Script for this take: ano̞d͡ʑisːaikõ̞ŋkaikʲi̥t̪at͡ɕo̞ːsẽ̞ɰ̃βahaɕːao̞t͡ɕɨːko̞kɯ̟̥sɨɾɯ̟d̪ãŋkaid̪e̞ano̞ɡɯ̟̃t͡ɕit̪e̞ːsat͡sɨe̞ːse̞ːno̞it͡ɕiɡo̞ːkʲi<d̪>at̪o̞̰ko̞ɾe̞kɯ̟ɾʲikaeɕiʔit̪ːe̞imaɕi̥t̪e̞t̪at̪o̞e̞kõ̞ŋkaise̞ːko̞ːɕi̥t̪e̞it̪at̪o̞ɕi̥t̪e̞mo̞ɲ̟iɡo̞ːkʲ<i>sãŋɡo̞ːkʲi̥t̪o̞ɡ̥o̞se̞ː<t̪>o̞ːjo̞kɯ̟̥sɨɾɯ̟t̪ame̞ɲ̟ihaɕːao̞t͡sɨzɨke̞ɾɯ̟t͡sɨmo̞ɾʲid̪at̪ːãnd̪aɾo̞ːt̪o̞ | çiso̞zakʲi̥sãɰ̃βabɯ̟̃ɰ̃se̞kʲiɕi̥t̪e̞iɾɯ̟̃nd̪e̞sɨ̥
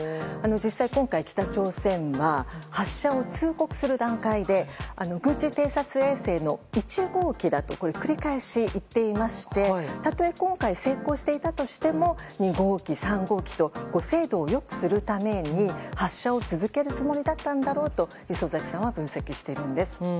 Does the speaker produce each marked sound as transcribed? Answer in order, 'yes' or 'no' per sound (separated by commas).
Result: yes, yes, no